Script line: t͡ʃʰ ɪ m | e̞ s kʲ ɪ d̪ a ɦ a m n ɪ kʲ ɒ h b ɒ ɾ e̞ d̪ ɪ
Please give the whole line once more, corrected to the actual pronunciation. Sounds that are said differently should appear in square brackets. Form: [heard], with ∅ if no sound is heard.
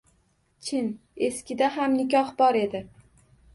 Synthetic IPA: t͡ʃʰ ɪ [n] | e̞ s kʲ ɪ d̪ a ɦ a m n ɪ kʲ ɒ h b ɒ ɾ e̞ d̪ ɪ